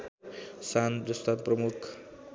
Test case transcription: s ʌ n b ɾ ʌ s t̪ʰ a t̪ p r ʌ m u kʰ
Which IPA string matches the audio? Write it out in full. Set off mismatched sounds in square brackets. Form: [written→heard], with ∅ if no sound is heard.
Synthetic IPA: s [ʌ→a] n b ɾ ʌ s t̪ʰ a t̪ p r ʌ m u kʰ